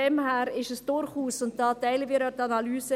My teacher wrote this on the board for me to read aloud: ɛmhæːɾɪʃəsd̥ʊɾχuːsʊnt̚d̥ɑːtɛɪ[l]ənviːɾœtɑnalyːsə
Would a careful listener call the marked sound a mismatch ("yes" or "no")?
no